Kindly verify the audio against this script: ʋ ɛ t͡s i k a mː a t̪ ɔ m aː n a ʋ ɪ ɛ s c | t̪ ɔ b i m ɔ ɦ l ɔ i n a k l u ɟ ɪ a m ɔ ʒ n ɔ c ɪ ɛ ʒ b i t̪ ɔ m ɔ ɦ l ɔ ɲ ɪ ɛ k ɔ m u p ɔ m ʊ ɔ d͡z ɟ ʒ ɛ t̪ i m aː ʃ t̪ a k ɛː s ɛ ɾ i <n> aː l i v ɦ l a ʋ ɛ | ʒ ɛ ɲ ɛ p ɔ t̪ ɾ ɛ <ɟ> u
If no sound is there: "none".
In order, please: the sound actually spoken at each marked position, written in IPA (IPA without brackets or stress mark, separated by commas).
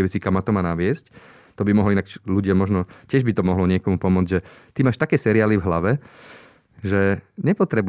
none, b